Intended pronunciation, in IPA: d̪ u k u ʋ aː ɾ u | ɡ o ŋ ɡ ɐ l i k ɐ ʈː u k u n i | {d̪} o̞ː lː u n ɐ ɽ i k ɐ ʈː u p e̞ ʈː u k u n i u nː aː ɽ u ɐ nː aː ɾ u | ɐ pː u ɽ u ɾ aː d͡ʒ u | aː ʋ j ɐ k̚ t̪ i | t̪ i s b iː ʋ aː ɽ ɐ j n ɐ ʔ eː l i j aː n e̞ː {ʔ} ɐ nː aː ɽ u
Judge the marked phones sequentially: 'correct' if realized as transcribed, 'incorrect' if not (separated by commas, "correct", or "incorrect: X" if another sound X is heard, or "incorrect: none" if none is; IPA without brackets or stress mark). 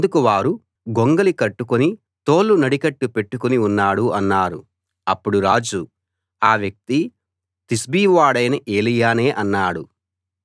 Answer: incorrect: t̪, correct